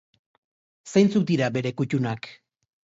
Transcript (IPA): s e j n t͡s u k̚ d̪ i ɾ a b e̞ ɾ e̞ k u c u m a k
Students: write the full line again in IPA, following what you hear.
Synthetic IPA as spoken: s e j n t͡s u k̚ d̪ i ɾ a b e̞ ɾ e̞ k u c u n a k